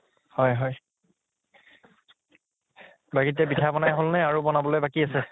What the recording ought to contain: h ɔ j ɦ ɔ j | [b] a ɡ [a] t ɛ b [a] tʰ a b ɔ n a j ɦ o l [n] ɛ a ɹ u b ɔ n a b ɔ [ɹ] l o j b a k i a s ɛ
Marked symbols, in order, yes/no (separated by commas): yes, no, no, yes, no